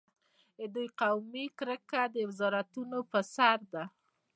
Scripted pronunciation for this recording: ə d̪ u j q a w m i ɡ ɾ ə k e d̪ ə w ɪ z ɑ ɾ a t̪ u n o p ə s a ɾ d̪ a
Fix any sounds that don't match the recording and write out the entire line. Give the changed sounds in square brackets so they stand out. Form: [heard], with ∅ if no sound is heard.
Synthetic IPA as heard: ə d̪ u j q a w m i [k] ɾ ə k [a] d̪ ə w ɪ z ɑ ɾ a t̪ u n o p ə s a ɾ d̪ a